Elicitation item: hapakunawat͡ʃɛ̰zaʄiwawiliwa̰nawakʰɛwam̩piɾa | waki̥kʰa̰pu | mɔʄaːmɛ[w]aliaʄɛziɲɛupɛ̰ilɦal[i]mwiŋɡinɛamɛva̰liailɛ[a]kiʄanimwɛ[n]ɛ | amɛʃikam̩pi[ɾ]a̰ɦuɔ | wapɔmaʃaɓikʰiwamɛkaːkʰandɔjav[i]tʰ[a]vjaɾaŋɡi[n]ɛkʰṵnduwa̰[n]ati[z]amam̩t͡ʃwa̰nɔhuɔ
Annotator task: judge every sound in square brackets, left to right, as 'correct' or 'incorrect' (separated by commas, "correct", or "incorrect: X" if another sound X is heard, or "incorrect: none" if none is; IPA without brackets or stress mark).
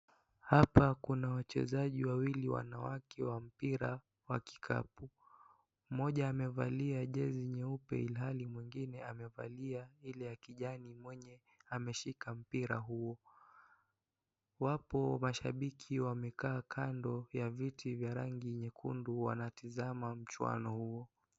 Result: incorrect: v, correct, correct, incorrect: ɲ, correct, correct, incorrect: i, incorrect: ɲ, correct, correct